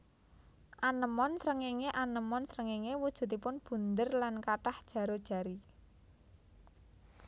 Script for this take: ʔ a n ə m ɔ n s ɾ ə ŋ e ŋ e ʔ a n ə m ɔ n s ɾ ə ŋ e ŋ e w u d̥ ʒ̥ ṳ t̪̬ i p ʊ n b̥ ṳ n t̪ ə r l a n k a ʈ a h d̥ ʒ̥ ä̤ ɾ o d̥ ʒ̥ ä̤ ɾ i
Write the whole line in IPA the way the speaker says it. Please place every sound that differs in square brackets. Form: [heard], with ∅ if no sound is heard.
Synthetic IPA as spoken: ʔ a n ə m ɔ n s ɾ ə ŋ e ŋ e ʔ a n ə m ɔ n s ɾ ə ŋ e ŋ e w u d̥ ʒ̥ ṳ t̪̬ i p ʊ n b̥ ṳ n [d̪] ə r l a n k a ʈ a h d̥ ʒ̥ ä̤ ɾ o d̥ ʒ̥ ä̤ ɾ i